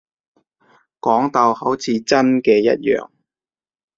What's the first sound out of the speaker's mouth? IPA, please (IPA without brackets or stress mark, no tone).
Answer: k